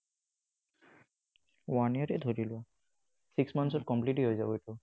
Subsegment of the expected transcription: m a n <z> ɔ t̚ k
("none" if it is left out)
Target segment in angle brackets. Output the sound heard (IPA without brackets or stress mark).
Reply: s